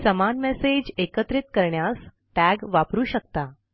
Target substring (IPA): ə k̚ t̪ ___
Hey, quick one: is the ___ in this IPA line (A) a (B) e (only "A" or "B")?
A